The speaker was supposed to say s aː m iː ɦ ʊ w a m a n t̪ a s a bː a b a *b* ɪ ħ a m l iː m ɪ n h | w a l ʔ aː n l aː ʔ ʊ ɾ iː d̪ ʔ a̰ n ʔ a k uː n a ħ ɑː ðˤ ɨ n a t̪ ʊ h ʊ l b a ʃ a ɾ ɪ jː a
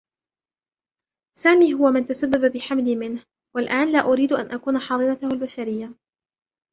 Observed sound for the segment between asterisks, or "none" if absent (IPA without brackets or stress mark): b